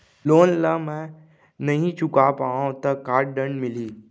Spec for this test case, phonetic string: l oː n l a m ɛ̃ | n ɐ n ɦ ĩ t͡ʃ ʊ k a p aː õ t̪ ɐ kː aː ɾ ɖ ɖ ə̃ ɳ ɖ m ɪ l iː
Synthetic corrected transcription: l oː n l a m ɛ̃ | n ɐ ɦ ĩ t͡ʃ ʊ k a p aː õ t̪ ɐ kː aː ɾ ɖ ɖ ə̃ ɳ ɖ m ɪ l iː